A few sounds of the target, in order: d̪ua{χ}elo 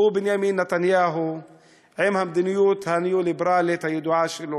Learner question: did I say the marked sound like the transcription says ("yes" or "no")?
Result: no